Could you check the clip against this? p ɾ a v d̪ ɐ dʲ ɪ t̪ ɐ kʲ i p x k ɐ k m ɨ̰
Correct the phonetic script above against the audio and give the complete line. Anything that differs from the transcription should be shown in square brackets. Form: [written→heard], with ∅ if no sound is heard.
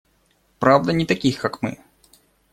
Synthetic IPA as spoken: p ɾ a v d̪ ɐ [dʲ→nʲ] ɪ t̪ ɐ kʲ i [p→∅] x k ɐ k m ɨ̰